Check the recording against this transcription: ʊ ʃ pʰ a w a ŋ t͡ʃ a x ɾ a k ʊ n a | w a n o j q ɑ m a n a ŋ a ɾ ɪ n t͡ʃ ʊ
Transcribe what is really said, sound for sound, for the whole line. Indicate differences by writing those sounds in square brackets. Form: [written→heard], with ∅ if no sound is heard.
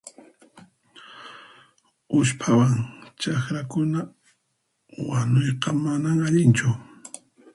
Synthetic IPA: ʊ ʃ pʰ a w a ŋ t͡ʃ a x ɾ a k ʊ n a | w a n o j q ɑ m a n a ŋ a [ɾ→ʎ] ɪ n t͡ʃ ʊ